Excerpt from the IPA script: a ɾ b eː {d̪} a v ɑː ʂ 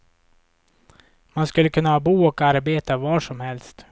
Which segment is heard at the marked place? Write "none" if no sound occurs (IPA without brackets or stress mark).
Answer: t̪